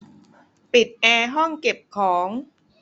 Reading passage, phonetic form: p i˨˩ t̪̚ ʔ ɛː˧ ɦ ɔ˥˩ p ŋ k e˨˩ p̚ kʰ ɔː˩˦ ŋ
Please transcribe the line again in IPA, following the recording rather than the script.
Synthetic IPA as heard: p i˨˩ t̪̚ ʔ ɛː˧ ɦ ɔ˥˩ ŋ k e˨˩ p̚ kʰ ɔː˩˦ ŋ